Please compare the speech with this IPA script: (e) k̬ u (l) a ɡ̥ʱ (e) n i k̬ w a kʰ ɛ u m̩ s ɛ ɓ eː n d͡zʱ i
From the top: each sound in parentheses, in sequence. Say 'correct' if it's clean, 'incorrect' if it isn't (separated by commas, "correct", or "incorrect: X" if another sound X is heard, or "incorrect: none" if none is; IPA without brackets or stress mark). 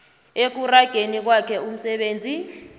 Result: correct, incorrect: r, correct